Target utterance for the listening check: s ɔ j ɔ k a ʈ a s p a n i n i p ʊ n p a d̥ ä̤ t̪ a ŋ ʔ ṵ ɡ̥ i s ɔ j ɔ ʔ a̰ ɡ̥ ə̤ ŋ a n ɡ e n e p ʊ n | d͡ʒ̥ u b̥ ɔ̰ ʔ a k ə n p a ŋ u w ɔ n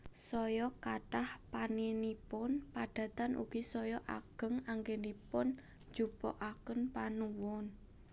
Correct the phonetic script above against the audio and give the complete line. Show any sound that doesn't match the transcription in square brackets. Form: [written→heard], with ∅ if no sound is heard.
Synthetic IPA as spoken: s ɔ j ɔ k a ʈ a [s→h] p a n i n i p ʊ n p a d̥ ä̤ t̪ a [ŋ→n] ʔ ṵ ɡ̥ i s ɔ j ɔ ʔ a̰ ɡ̥ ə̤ ŋ a [n→ŋ] ɡ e n [e→i] p ʊ n | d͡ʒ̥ u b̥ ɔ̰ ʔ a k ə n p a [ŋ→n] u w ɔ n